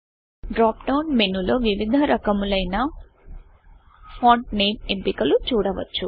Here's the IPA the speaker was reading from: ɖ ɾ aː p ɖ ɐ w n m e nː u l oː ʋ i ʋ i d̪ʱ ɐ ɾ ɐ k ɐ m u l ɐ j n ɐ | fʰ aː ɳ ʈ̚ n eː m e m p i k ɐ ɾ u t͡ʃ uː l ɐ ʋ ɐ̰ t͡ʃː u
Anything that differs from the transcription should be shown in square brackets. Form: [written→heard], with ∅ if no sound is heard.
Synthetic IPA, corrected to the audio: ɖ ɾ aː p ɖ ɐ w n m e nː u l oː ʋ i ʋ i d̪ʱ ɐ ɾ ɐ k ɐ m u l ɐ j n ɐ | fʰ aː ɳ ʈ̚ n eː m e m p i k ɐ [ɾ→l] u t͡ʃ uː [l→ɽ] ɐ ʋ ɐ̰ t͡ʃː u